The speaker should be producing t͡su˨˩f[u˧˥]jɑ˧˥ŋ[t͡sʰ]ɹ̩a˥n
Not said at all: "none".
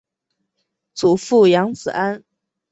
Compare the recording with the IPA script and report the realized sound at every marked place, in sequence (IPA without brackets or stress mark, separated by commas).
u˥˩, t͡s